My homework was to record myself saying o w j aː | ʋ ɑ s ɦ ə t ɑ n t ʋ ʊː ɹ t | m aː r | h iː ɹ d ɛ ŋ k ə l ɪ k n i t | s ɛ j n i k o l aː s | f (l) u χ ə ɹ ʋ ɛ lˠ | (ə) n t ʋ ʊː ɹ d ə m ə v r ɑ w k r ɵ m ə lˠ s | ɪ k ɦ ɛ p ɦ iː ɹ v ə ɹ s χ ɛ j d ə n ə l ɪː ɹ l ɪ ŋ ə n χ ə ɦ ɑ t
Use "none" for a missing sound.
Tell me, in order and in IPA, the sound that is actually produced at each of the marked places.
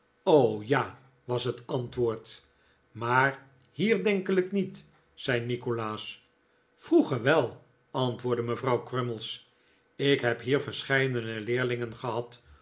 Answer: r, ɑ

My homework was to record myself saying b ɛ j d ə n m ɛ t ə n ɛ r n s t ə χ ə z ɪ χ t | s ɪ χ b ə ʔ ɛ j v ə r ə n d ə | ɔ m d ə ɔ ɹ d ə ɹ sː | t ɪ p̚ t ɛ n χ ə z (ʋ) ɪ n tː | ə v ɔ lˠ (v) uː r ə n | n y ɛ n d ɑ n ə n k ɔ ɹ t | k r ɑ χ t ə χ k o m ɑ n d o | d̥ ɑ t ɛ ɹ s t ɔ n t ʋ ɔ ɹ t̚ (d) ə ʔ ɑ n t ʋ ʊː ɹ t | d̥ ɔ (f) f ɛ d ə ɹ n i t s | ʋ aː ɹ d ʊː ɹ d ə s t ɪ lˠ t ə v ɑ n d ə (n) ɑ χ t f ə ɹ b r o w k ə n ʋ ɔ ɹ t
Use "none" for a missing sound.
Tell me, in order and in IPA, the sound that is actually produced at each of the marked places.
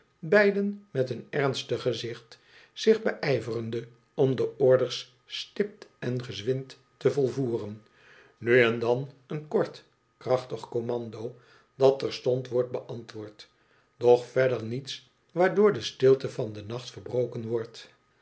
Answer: ʋ, v, b, χ, n

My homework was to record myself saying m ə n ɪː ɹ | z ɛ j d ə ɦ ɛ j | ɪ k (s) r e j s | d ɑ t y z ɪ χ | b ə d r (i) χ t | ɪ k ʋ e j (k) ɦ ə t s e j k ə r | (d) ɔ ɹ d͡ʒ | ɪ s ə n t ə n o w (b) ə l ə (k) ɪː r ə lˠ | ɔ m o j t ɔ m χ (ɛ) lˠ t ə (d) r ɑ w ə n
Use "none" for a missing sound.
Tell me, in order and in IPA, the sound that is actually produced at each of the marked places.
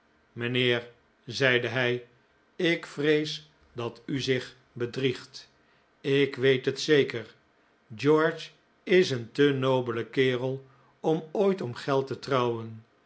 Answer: f, i, t, d͡ʒ, b, k, ɛ, t

